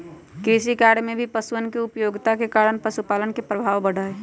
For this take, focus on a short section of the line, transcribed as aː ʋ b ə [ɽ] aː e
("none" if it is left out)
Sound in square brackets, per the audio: ɽ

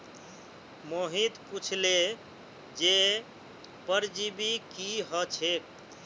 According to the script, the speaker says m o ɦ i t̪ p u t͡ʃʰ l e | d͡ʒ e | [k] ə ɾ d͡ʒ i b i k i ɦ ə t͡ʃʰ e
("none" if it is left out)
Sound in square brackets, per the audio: p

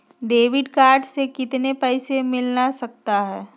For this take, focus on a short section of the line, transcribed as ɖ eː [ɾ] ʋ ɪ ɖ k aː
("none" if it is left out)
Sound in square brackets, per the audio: none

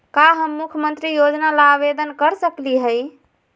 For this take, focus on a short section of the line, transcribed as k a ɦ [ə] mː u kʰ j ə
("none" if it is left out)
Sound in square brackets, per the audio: ə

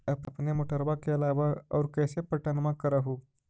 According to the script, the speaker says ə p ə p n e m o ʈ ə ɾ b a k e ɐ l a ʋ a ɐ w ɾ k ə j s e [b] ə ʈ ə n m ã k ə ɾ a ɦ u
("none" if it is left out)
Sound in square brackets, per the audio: p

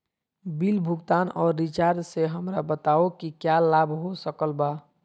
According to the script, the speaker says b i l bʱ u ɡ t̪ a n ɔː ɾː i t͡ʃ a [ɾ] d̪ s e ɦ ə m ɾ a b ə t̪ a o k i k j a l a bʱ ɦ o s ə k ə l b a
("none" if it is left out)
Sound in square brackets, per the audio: ɾ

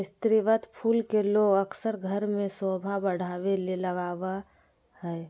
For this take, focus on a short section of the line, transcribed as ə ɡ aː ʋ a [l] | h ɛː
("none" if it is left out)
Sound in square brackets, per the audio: none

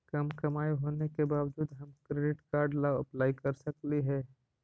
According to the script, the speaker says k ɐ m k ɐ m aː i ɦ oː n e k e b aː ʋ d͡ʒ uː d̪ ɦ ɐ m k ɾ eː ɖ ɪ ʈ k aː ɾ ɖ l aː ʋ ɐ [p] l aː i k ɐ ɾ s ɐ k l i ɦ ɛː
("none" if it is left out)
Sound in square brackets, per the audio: p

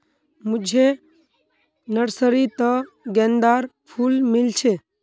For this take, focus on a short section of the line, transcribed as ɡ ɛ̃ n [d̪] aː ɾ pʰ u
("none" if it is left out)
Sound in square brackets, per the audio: d̪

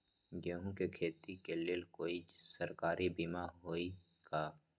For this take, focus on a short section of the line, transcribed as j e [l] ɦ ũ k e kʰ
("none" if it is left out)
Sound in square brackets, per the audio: none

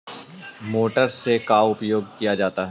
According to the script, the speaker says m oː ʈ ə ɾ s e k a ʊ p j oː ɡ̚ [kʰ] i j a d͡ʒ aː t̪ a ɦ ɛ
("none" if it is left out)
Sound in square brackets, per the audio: k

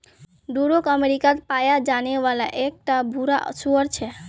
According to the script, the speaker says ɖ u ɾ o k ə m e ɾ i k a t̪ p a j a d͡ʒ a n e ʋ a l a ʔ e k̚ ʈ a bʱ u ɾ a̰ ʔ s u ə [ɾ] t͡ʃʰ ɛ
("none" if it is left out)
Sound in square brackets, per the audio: ɾ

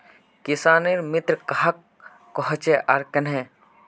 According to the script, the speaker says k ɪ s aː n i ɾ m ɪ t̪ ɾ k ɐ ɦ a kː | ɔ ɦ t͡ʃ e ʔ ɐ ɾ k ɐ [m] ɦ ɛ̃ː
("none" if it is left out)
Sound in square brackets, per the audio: n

